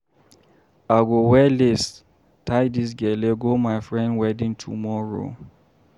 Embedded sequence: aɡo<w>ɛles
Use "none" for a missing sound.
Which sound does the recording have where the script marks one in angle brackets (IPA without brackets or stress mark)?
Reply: w